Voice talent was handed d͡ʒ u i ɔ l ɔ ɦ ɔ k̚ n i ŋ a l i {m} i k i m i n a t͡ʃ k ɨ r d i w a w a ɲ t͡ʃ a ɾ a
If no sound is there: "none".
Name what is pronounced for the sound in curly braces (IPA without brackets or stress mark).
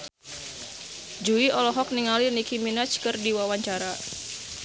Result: n